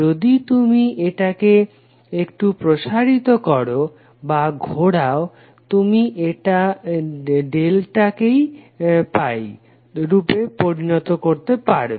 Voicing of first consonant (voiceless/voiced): voiced